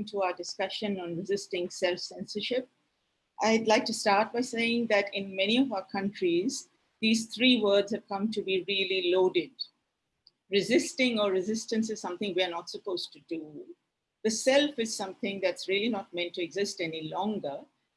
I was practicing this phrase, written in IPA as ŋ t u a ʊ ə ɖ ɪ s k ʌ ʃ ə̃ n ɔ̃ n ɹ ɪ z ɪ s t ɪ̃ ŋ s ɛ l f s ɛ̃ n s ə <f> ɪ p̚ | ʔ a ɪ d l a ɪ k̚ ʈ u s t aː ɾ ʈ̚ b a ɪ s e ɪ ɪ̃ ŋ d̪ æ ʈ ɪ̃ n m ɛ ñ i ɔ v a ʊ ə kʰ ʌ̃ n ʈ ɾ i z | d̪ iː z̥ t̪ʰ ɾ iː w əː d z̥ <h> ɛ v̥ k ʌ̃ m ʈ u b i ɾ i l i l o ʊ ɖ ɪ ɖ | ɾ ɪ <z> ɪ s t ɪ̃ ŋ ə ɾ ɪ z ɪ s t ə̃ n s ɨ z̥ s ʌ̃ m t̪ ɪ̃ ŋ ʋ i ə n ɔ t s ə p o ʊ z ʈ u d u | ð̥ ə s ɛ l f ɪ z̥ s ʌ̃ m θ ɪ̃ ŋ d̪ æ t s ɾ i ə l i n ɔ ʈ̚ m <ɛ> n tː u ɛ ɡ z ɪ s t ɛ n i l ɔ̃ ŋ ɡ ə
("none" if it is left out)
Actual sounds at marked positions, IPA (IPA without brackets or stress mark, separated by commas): ʃ, h, z, ɛ̃